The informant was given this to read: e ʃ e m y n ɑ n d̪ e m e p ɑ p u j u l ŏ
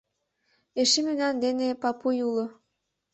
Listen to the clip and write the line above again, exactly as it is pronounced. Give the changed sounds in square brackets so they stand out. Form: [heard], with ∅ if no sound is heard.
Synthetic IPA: e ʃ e m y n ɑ n d̪ e [n] e p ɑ p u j u l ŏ